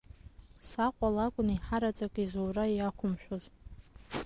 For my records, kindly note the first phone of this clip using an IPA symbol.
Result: s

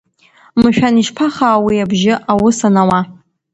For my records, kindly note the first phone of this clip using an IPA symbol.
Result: m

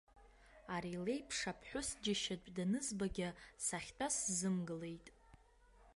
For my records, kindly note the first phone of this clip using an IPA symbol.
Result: a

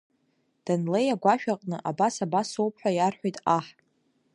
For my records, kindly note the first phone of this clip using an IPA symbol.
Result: d̥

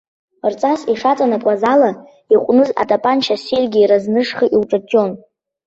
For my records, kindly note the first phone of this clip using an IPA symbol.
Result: r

